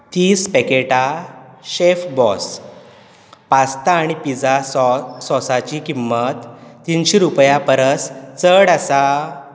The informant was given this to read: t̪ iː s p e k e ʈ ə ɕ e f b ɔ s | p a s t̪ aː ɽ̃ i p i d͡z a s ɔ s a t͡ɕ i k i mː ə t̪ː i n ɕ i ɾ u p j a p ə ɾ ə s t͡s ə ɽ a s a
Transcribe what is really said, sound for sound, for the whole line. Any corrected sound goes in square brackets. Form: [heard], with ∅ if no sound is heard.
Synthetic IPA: t̪ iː s p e k e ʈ [a] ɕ e f b ɔ s | p a s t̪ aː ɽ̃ i p i d͡z a s ɔ s a t͡ɕ i k i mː ə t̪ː i n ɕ i ɾ u p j a p ə ɾ ə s t͡s ə ɽ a s a